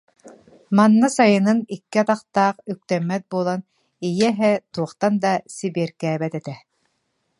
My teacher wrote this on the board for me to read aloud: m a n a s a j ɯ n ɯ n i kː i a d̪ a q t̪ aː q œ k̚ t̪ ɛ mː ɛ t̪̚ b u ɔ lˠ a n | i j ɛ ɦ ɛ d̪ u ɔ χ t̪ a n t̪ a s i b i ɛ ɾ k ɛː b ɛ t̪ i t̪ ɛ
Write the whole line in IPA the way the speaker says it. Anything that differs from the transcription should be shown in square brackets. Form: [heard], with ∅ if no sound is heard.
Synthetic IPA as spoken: m a [nː] a s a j ɯ n ɯ n i kː i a [t̪] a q t̪ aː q [y] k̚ t̪ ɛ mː ɛ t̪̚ b u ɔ lˠ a n | i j ɛ ɦ ɛ [t̪] u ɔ χ t̪ a n [d̪] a s i b i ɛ ɾ k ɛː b ɛ t̪ [ɛ] t̪ ɛ

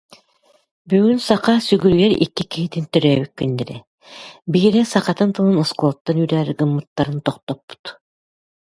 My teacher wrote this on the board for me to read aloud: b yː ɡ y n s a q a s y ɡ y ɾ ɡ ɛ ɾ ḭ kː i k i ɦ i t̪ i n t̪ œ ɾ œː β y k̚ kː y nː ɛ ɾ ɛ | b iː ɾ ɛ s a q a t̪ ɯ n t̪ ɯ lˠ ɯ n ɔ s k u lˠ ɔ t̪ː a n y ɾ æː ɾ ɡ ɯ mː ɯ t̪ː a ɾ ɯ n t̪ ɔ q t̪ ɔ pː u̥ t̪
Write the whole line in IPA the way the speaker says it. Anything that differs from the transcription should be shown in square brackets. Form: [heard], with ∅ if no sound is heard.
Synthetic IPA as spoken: b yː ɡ y n s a q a s y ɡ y ɾ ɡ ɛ ɾ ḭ kː i k i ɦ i t̪ i n t̪ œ ɾ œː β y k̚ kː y nː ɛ ɾ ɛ | b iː ɾ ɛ s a q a t̪ ɯ n t̪ ɯ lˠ ɯ n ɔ s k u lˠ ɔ t̪ː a n y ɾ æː ɾ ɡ ɯ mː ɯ t̪ː a ɾ ɯ n t̪ ɔ q t̪ ɔ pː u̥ t̪

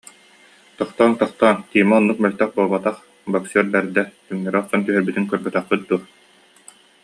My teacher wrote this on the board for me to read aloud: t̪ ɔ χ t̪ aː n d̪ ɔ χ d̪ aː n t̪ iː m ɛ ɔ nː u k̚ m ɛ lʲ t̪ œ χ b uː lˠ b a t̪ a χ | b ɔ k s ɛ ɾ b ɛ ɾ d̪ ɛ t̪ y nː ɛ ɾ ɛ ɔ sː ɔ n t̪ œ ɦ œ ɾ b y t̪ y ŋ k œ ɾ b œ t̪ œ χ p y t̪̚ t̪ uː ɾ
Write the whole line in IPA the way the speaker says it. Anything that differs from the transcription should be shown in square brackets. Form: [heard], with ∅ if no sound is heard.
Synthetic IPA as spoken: t̪ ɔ χ t̪ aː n [t̪] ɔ χ [t̪] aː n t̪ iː m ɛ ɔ nː u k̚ m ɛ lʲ t̪ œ χ b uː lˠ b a t̪ a χ | b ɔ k s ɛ ɾ b ɛ ɾ d̪ ɛ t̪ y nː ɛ ɾ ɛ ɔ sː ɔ n t̪ [y] ɦ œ ɾ b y t̪ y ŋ k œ ɾ b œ t̪ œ χ p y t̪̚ [d̪] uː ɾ

